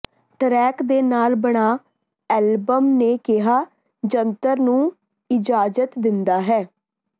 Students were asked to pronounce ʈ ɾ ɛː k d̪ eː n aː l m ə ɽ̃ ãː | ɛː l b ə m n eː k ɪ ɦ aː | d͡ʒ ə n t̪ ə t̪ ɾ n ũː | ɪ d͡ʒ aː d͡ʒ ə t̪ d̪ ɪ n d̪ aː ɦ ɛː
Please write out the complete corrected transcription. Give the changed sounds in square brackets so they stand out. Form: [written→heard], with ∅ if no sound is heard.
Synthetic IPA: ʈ ɾ ɛː k d̪ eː n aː l [m→b] ə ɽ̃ [ãː→aː] | ɛː l b ə m n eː k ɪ ɦ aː | d͡ʒ ə n t̪ ə [t̪→∅] ɾ n ũː | ɪ d͡ʒ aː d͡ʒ ə t̪ d̪ ɪ n d̪ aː ɦ ɛː